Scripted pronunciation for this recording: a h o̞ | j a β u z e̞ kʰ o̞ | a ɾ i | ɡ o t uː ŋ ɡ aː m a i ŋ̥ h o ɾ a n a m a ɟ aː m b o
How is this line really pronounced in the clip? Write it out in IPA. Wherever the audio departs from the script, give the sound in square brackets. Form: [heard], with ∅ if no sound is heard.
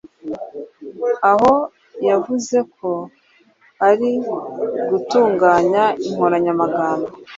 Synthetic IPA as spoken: a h o̞ | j a [v] u z e̞ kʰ o̞ | a ɾ i | ɡ [u] t uː ŋ ɡ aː [ɲ] a i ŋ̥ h o ɾ a [ɲ] a m a [ɡ] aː m b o